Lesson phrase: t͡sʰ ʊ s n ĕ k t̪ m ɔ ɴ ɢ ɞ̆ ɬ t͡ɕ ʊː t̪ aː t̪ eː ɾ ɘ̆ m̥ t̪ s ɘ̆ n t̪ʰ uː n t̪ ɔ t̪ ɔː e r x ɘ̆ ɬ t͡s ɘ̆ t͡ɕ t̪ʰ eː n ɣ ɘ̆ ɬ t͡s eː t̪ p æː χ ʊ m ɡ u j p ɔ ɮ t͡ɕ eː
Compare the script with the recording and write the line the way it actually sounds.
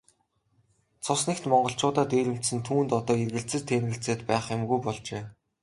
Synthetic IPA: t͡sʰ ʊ s n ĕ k t̪ m ɔ ɴ ɢ ɞ̆ ɬ t͡ɕ ʊː t̪ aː t̪ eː ɾ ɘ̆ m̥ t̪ s ɘ̆ n t̪ʰ uː n t̪ ɔ t̪ ɔː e r ɣ ɘ̆ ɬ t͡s ɘ̆ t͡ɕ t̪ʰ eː n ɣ ɘ̆ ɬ t͡s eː t̪ p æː χ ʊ m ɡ u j p ɔ ɮ t͡ɕ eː

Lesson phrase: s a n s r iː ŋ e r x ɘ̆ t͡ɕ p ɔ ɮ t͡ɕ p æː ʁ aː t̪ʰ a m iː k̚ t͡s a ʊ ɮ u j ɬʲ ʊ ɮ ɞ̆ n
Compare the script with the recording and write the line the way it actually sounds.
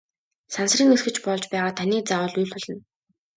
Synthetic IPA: s a n s r iː ŋ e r x ɘ̆ t͡ɕ p ɔ ɮ t͡ɕ p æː ʁ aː t̪ʰ a n iː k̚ t͡s a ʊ ɮ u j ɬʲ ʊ ɮ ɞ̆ n

